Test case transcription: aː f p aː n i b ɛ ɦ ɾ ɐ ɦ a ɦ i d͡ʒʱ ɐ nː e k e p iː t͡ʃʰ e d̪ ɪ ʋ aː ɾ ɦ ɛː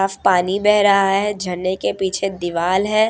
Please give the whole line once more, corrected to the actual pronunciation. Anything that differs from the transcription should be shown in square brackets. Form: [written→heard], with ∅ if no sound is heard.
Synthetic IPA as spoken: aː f p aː n i b ɛ ɦ ɾ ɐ ɦ a ɦ [i→ɛ] d͡ʒʱ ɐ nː e k e p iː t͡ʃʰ e d̪ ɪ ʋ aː [ɾ→l] ɦ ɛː